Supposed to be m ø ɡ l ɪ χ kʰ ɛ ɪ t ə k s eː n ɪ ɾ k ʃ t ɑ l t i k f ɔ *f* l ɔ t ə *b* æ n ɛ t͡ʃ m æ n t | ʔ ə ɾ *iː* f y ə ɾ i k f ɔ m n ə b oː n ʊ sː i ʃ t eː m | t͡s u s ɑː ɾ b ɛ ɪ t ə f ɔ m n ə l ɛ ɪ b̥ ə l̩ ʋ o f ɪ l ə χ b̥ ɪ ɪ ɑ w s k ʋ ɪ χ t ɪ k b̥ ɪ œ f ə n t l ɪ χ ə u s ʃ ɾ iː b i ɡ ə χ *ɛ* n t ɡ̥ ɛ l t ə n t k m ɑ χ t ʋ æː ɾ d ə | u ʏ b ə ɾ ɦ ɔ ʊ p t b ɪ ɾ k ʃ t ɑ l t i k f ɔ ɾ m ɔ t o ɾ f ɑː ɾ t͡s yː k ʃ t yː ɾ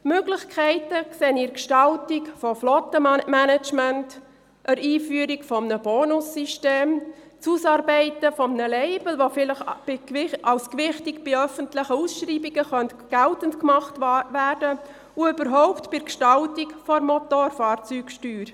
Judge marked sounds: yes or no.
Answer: yes, no, yes, no

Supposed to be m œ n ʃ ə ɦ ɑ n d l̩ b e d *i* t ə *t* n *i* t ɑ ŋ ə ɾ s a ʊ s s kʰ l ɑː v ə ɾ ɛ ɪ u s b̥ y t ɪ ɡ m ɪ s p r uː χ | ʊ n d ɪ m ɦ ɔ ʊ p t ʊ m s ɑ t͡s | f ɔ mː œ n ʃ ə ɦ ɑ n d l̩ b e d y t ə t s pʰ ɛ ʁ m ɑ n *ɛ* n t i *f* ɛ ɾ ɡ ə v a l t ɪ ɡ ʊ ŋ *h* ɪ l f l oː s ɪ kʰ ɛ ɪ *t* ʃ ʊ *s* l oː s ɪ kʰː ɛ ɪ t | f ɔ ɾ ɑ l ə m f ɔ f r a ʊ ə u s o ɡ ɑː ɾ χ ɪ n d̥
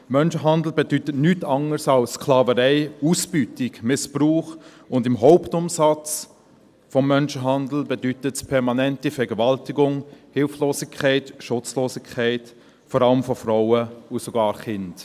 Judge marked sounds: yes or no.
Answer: no, yes, no, yes, yes, yes, yes, no

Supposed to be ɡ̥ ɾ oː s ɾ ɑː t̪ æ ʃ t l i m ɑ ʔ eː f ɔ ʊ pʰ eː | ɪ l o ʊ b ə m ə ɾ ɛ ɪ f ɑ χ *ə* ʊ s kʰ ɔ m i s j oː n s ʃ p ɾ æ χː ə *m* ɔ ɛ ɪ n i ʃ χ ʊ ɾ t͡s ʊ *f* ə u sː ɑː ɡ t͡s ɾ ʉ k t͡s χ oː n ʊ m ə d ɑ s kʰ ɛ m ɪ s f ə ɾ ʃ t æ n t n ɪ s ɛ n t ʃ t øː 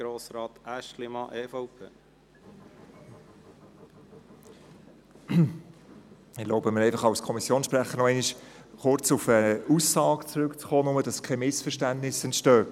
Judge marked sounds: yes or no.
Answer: no, no, yes

